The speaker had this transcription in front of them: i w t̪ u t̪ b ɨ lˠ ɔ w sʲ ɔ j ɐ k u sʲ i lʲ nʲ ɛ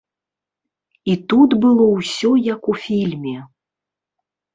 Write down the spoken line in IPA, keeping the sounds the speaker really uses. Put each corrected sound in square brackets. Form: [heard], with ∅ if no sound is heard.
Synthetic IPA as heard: i [∅] t̪ u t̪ b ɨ lˠ ɔ w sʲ ɔ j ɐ k u [fʲ] i lʲ [mʲ] ɛ